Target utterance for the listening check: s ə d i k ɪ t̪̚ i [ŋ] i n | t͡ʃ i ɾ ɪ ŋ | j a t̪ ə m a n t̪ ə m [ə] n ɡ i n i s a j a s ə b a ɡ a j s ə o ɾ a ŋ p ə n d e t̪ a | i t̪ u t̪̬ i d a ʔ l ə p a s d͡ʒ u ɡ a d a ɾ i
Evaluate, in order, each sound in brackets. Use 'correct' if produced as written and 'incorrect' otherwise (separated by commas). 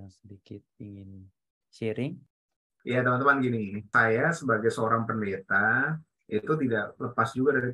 correct, incorrect